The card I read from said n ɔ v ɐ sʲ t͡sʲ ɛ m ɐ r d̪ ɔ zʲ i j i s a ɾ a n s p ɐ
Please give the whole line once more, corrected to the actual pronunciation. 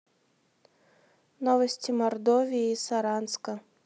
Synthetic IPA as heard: n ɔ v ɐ sʲ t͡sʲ i m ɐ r d̪ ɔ vʲ i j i s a ɾ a n s k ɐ